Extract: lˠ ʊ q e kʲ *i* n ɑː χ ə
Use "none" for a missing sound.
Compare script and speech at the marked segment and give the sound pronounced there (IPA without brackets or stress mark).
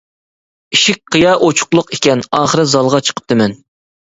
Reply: ɛ